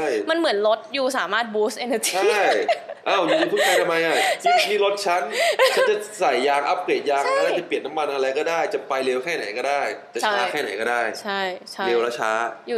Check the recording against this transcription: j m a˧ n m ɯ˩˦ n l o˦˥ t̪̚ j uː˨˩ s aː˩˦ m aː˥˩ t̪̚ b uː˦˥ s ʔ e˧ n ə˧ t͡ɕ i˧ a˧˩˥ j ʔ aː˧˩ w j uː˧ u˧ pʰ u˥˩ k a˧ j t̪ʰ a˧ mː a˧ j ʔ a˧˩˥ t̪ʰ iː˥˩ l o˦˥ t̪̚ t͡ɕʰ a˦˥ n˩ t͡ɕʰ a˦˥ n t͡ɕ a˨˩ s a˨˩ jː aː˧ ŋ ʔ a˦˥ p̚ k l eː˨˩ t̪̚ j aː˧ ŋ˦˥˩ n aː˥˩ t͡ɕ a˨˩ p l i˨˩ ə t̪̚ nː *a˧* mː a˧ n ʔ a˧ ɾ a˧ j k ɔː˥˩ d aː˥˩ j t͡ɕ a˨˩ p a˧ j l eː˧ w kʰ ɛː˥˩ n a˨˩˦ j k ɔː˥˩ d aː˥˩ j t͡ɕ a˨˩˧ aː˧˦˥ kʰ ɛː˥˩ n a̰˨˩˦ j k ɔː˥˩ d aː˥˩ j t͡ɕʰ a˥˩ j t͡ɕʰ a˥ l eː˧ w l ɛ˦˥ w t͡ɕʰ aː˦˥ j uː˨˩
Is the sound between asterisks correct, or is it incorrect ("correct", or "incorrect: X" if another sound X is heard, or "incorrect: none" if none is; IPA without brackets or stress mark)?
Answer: incorrect: a˦˥